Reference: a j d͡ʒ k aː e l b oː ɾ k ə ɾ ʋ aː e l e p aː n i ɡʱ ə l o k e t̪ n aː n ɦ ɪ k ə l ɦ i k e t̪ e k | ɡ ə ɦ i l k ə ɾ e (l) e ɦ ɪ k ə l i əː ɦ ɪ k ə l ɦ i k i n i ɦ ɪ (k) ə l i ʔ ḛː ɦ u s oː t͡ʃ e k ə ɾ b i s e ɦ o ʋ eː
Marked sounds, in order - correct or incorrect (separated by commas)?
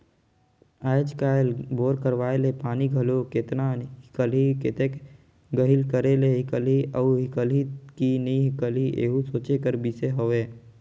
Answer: correct, correct